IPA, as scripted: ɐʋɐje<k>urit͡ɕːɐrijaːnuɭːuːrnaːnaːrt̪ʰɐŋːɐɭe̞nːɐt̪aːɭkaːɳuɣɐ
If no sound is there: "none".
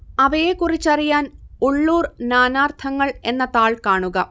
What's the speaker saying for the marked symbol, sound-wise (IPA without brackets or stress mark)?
k